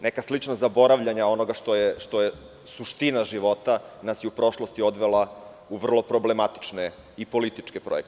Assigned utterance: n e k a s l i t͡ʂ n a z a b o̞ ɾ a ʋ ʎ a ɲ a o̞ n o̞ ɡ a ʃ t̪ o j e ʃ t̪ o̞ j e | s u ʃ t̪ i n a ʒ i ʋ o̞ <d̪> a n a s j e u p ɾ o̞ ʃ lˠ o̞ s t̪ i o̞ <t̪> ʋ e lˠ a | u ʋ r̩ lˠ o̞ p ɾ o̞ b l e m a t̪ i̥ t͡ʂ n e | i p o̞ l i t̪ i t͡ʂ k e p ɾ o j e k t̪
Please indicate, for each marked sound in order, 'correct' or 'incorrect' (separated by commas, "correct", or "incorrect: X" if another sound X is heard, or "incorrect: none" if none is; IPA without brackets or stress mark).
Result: incorrect: t̪, incorrect: d̪